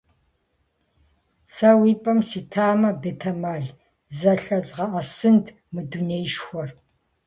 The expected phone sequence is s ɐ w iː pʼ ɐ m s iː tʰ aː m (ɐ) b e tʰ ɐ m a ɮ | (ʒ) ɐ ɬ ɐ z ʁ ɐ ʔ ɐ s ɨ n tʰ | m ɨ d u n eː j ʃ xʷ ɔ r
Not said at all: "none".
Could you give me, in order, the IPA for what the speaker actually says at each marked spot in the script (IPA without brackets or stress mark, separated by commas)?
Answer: ɐ, z